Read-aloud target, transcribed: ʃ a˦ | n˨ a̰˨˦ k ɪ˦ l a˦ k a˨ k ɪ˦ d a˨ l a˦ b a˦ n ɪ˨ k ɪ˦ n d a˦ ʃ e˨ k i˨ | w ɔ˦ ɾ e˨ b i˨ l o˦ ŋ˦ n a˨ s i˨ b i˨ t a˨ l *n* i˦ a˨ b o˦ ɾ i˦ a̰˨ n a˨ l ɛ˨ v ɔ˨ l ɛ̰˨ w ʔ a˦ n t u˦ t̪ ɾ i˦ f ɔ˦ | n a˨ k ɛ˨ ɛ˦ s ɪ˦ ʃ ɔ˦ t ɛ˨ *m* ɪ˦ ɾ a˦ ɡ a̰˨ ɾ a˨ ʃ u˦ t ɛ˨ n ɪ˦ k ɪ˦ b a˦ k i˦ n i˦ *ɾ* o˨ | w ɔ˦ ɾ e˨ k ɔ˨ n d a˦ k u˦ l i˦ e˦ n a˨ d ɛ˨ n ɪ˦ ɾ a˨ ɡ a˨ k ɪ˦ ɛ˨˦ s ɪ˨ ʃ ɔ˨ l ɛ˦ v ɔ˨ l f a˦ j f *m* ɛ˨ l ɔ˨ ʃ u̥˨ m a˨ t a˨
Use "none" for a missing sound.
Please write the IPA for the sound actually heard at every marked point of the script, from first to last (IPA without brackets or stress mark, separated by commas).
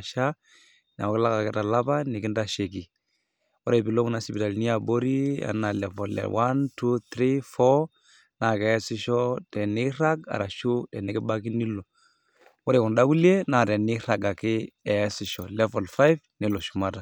n, n, l, n